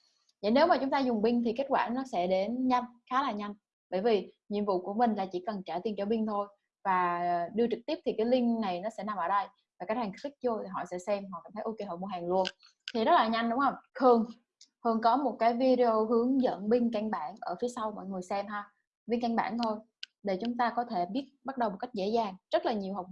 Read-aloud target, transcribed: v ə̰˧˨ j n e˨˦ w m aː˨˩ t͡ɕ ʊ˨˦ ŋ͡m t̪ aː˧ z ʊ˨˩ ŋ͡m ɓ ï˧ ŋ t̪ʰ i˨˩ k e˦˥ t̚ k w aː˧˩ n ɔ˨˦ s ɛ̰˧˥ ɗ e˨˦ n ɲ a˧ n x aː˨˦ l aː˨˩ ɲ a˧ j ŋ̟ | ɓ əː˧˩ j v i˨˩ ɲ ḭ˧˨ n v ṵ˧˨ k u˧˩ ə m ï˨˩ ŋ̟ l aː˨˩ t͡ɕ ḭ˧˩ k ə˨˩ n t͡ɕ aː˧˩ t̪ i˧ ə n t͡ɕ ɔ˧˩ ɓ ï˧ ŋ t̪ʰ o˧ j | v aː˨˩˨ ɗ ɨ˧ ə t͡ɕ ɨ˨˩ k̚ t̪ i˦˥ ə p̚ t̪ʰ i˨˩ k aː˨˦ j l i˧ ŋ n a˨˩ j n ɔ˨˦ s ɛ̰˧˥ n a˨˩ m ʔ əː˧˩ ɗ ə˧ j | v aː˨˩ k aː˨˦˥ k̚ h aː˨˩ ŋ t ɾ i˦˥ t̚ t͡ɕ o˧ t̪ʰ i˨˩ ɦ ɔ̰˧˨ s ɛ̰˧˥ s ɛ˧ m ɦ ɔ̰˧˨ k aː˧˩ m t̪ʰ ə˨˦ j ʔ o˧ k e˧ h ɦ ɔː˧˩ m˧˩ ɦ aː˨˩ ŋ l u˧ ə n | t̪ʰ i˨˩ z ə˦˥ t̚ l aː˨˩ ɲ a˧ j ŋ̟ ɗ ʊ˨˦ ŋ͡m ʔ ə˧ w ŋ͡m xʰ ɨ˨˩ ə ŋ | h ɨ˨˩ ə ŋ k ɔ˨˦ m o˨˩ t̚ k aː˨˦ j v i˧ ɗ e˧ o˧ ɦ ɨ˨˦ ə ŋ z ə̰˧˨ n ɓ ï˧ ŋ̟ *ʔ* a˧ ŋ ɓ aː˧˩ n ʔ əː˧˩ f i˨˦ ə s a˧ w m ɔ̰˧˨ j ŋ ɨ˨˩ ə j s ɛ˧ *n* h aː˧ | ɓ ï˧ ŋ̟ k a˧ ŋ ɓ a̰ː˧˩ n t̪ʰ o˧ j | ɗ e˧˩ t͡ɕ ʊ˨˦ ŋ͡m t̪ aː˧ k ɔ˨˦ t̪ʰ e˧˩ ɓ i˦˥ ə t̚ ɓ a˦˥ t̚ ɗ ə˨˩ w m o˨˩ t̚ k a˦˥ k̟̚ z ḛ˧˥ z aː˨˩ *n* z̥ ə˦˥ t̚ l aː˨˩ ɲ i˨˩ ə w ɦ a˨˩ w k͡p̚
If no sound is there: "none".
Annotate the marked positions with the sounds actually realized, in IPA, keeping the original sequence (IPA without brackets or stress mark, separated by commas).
k, m, ŋ